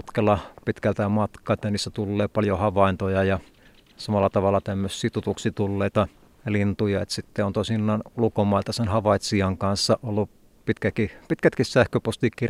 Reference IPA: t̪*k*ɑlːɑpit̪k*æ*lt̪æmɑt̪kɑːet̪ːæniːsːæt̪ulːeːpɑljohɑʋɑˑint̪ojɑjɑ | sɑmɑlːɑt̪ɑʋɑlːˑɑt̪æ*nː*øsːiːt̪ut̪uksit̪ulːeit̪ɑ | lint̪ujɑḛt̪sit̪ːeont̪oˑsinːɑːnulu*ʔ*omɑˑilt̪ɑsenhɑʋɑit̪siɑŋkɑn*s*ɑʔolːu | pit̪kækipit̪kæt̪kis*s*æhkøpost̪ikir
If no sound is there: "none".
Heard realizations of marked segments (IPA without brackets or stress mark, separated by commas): k, æ, mː, k, sː, s